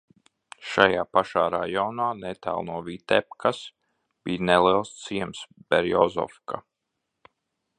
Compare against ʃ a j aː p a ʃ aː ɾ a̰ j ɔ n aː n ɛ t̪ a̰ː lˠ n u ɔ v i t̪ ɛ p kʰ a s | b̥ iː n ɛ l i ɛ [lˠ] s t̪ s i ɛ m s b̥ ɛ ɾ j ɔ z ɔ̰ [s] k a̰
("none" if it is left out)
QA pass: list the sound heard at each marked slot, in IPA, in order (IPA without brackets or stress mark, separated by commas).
lˠ, f